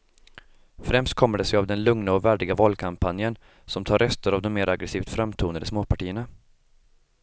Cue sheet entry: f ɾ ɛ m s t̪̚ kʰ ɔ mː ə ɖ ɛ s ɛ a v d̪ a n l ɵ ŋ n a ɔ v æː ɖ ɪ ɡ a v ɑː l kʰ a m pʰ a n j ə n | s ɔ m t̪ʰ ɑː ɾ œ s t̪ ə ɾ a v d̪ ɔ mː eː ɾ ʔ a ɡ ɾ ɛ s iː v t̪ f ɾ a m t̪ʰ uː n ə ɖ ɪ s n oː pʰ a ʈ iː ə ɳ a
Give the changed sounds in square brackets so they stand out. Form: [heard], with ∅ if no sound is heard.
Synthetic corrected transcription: f ɾ ɛ m s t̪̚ kʰ ɔ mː ə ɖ ɛ s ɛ a v d̪ [ɛ] n l ɵ ŋ n a ɔ v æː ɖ ɪ ɡ a v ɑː l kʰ a m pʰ a n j ə n | s ɔ m t̪ʰ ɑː ɾ œ s t̪ ə ɾ a v d̪ ɔ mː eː ɾ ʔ a ɡ ɾ ɛ s iː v t̪ f ɾ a m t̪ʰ uː n ə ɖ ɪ s [m] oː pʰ a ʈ iː ə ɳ a